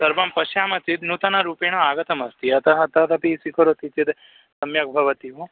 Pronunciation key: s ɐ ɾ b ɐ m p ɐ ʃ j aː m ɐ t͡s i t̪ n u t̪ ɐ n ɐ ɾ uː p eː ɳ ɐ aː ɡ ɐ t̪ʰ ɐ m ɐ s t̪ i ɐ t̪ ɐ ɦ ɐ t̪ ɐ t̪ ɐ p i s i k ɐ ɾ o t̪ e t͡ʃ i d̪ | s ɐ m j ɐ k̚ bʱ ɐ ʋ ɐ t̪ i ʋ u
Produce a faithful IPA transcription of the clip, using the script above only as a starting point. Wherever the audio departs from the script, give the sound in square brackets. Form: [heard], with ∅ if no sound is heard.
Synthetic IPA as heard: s ɐ ɾ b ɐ m p ɐ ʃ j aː m ɐ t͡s i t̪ n u t̪ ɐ n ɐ ɾ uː p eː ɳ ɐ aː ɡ ɐ [t̪] ɐ m ɐ s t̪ i ɐ t̪ ɐ ɦ ɐ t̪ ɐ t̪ ɐ p i s i k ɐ ɾ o t̪ [i] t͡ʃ i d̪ | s ɐ m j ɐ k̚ bʱ ɐ ʋ ɐ t̪ i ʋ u